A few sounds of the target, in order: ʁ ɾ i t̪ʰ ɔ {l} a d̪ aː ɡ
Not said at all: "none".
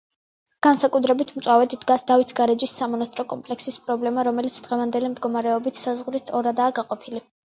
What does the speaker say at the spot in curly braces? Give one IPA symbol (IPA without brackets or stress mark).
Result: ɾ